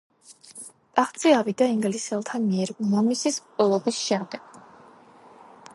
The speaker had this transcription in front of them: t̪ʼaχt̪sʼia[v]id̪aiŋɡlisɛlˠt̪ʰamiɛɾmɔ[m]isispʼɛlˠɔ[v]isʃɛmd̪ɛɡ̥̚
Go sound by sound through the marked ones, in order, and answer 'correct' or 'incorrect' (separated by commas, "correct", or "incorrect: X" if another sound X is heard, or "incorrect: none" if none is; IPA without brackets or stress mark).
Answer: correct, correct, incorrect: b